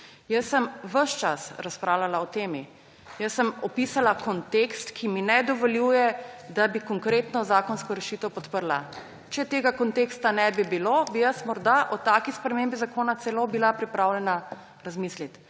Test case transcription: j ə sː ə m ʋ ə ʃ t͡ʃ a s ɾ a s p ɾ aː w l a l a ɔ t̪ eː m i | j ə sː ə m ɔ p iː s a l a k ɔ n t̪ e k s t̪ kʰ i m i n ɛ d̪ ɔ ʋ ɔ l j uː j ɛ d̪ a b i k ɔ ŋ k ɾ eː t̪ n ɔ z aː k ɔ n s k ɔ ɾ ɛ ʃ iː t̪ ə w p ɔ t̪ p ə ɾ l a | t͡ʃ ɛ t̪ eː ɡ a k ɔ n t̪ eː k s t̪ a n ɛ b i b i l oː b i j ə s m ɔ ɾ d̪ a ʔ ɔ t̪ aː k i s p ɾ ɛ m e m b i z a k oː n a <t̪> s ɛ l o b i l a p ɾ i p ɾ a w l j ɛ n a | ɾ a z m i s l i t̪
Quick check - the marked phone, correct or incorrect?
correct